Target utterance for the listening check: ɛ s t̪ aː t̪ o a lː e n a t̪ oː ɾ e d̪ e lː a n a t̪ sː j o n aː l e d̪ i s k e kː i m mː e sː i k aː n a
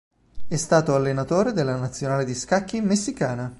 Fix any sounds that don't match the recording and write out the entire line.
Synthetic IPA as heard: ɛ s t̪ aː t̪ o a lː e n a t̪ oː ɾ e d̪ e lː a n a t̪ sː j o n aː l e d̪ i s k a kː i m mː e sː i k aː n a